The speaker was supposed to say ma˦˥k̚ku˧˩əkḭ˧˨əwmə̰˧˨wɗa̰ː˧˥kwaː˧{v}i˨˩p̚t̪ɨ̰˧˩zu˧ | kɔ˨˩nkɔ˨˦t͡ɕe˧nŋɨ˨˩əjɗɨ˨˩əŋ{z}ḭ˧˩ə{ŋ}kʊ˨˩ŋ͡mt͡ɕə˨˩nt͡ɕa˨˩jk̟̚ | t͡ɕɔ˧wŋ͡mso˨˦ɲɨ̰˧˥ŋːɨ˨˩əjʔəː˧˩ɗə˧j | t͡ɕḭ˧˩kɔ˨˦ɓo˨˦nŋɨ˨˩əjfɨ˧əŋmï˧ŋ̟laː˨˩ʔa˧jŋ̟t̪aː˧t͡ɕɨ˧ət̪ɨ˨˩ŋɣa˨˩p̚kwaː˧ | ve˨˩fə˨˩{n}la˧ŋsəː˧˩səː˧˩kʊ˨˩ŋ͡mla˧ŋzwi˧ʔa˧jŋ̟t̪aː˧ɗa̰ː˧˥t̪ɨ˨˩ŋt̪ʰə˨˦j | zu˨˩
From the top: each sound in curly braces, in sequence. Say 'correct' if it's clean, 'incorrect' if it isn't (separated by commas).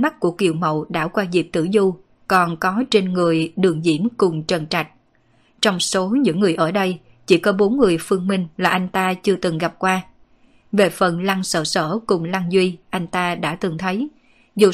incorrect, correct, incorrect, correct